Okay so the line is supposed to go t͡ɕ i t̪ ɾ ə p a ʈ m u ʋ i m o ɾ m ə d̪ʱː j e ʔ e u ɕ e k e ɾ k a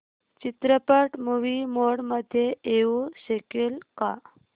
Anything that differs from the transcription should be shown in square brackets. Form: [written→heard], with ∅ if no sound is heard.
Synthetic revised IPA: t͡ɕ i t̪ ɾ ə p [a→ə] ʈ m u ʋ i m o [ɾ→ɽ] m ə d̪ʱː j e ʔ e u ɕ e k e [ɾ→l] k a